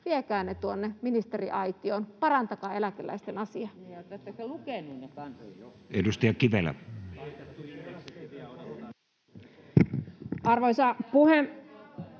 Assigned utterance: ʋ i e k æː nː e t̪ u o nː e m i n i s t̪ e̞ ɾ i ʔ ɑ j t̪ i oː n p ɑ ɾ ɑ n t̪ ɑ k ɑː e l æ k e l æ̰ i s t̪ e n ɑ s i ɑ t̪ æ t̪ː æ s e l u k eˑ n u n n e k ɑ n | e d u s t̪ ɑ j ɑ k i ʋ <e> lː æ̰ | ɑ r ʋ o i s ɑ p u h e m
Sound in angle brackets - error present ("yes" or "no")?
no